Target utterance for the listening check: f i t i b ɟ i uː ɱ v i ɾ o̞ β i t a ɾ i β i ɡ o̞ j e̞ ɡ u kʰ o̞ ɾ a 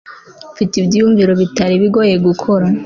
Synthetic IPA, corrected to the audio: f i t i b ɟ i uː ɱ v i ɾ o̞ β i t a ɾ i β i ɡ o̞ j e̞ ɡ u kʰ o̞ ɾ a